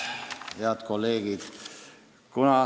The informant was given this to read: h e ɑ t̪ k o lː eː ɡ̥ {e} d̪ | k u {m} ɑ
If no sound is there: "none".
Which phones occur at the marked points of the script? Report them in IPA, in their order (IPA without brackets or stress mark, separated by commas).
i, n